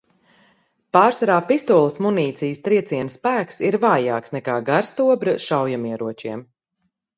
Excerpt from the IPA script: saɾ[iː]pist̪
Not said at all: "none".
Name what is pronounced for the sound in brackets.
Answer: aː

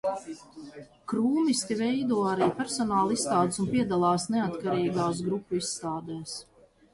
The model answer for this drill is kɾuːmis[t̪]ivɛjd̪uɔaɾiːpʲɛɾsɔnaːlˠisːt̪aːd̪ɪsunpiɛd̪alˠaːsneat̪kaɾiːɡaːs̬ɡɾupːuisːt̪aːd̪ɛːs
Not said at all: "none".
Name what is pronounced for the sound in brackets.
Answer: t̪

